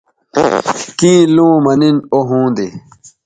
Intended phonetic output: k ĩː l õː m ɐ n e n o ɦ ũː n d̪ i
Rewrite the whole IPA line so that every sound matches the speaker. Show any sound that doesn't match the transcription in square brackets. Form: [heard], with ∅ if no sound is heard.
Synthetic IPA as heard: k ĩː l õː m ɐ n [i] n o ɦ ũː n d̪ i